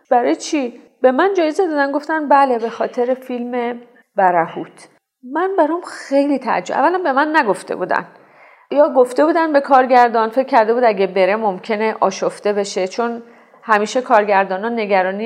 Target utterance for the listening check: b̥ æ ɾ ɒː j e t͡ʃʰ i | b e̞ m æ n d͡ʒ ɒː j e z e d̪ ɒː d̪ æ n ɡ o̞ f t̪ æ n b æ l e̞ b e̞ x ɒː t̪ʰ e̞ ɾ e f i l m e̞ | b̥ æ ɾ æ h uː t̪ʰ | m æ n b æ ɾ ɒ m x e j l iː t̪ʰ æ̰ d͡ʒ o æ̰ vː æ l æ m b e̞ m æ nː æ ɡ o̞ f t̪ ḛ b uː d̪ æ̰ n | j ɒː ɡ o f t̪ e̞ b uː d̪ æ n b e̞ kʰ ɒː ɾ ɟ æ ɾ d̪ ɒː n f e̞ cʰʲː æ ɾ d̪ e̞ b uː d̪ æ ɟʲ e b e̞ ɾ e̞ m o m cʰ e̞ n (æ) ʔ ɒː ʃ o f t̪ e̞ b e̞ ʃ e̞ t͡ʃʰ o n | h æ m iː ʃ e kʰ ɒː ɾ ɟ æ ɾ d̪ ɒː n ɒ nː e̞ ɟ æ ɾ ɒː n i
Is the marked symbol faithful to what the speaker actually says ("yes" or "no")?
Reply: no